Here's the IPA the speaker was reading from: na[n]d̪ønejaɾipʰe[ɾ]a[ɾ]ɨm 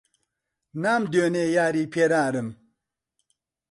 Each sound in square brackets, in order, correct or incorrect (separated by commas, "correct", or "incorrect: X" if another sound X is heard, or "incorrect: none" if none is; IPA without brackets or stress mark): incorrect: m, correct, correct